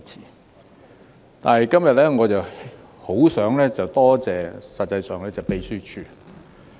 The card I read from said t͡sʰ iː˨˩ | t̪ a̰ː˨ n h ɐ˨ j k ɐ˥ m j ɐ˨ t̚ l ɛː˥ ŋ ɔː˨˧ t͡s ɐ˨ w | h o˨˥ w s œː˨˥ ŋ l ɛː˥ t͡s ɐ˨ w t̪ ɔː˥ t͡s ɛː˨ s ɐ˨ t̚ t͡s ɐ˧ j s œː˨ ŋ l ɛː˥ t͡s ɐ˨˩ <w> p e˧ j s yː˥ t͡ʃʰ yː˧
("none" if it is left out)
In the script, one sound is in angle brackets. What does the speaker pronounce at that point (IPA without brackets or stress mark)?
w